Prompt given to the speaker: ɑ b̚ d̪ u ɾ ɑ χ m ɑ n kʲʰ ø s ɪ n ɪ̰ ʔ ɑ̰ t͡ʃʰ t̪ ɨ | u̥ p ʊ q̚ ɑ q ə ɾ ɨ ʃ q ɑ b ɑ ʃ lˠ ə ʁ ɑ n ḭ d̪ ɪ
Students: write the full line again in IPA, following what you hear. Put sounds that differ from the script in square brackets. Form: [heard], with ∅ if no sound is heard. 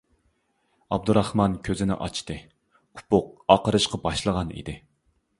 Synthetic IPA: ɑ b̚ d̪ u ɾ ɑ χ m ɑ n kʲʰ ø [z] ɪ n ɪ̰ ʔ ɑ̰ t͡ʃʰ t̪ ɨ | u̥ p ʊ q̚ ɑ q ə ɾ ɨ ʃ q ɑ b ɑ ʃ lˠ ə ʁ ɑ n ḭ d̪ ɪ